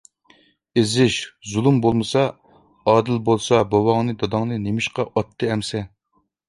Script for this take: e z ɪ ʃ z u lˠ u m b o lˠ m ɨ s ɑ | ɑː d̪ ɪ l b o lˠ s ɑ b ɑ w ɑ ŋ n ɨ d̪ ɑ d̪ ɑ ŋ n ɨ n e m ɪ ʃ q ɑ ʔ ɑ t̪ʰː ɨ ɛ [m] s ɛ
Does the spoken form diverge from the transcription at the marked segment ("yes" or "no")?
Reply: no